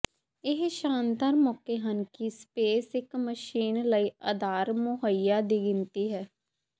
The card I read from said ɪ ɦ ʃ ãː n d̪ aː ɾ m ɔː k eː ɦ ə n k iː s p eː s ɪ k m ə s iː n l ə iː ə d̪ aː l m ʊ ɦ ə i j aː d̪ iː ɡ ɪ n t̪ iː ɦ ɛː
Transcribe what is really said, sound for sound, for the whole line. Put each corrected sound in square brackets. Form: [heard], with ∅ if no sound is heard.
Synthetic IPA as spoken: ɪ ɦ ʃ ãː n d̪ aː ɾ m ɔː k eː ɦ ə n k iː s p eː s ɪ k m ə [ʃ] iː n l ə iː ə d̪ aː [ɾ] m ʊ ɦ ə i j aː d̪ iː ɡ ɪ n t̪ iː ɦ ɛː